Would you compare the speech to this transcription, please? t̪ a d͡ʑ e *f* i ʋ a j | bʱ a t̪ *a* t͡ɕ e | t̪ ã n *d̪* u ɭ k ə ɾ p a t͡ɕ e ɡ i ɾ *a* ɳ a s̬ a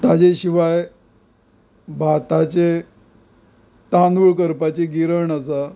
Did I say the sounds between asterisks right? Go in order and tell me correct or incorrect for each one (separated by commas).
incorrect, correct, correct, incorrect